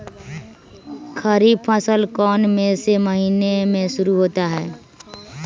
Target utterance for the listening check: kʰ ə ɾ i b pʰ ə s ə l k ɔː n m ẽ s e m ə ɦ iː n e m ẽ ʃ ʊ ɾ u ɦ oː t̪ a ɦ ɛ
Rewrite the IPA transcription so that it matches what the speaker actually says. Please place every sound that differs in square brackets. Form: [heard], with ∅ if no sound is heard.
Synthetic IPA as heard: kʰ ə ɾ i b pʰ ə s ə l k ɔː n m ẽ s e m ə ɦ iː n e m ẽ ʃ ʊ ɾ u ɦ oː t̪ a ɦ [ɛː]